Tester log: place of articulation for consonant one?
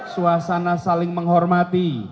alveolar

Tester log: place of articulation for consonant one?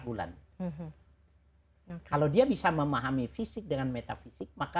labial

